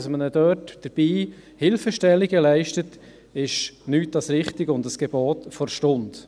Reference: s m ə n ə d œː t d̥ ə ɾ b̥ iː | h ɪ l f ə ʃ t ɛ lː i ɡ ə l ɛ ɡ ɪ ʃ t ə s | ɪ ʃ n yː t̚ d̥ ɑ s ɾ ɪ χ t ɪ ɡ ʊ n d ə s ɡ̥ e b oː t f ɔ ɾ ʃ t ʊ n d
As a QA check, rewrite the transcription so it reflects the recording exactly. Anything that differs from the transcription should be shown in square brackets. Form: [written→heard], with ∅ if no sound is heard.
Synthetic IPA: s m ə n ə d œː t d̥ ə ɾ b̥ iː | h ɪ l f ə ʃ t ɛ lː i ɡ ə l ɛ [ɡ→∅] ɪ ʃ t ə [s→t] | ɪ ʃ n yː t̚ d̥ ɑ s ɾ ɪ χ t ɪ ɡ ʊ n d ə s ɡ̥ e b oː t f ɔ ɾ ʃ t ʊ n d